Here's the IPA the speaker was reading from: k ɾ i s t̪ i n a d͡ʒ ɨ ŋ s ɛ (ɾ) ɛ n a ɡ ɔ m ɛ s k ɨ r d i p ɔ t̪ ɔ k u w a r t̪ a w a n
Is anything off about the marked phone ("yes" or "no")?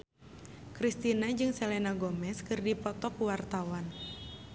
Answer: yes